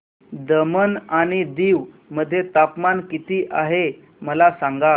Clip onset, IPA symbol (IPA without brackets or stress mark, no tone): d̪